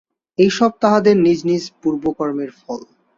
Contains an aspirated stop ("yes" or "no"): no